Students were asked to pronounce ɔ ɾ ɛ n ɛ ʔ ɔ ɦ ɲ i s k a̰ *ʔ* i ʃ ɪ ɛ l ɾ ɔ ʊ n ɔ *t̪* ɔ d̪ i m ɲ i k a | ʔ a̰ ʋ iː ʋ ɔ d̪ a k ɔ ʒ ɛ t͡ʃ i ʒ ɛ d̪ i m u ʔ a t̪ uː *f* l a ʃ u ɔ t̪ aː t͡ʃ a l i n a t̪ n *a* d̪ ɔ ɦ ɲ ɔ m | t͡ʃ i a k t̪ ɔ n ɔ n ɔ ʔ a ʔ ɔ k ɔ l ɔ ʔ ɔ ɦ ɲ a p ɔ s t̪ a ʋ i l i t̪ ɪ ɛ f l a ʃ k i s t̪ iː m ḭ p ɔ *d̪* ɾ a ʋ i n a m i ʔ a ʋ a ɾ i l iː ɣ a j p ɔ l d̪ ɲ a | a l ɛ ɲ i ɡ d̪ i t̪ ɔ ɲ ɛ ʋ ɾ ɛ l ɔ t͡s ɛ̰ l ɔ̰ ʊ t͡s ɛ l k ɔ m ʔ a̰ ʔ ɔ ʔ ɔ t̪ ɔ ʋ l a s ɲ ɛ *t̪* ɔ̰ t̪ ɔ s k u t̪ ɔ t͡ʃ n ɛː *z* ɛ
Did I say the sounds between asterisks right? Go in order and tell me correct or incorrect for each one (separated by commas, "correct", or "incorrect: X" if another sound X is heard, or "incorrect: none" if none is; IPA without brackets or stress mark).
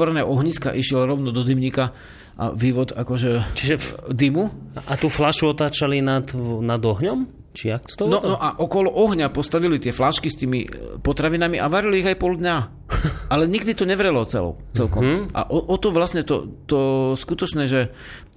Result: correct, incorrect: d̪, correct, correct, incorrect: t̪, correct, incorrect: ʒ